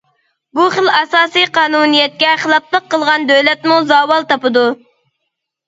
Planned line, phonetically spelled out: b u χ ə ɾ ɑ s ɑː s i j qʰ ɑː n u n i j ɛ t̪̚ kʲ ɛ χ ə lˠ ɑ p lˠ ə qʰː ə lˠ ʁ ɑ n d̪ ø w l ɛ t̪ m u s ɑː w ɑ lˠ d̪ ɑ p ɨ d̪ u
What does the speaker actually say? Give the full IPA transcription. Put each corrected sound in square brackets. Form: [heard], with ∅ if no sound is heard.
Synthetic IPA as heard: b u χ ə [l] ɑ s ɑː s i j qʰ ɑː n u n i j ɛ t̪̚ kʲ ɛ χ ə lˠ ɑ p lˠ ə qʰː ə lˠ ʁ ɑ n d̪ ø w l ɛ t̪ m u [z] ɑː w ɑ lˠ [t̪] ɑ p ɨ d̪ u